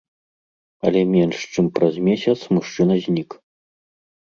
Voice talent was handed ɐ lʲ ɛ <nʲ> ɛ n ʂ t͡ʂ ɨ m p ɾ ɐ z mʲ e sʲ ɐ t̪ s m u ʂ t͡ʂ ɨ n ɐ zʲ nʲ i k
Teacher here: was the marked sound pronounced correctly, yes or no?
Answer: no